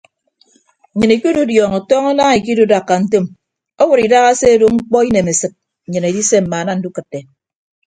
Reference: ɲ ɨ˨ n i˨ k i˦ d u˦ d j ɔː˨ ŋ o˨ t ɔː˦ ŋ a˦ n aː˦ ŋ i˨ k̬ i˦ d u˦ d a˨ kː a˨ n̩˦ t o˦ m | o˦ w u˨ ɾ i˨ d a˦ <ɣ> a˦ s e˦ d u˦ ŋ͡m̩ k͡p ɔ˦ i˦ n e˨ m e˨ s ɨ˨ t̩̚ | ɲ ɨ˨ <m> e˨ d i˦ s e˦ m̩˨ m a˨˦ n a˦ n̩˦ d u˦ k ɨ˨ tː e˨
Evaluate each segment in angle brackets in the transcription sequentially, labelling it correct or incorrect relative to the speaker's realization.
correct, incorrect

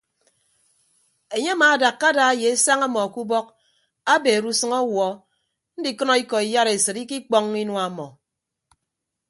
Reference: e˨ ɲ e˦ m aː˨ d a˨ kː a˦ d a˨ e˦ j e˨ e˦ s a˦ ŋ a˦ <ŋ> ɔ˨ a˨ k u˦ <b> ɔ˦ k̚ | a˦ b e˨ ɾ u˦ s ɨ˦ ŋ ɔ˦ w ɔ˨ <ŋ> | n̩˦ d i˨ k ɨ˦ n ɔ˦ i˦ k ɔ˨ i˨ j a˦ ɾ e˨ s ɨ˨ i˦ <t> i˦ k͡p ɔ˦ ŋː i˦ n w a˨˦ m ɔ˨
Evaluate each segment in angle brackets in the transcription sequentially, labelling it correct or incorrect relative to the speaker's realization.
incorrect, correct, incorrect, incorrect

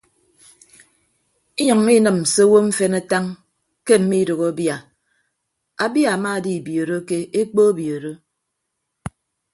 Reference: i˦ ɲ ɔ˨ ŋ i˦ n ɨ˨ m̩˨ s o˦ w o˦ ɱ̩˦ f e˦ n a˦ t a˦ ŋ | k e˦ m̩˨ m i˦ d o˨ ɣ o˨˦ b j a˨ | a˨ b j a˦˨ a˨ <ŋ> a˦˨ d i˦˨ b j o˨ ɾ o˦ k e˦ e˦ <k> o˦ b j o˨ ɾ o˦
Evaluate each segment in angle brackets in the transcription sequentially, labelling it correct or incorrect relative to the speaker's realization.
incorrect, incorrect

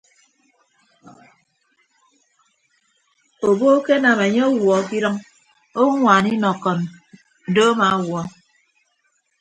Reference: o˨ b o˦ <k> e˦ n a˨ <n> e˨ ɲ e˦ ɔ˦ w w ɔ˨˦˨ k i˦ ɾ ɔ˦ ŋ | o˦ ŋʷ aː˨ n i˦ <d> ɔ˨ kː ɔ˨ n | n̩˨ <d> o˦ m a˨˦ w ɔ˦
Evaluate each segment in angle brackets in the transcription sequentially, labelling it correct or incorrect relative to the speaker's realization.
correct, incorrect, incorrect, correct

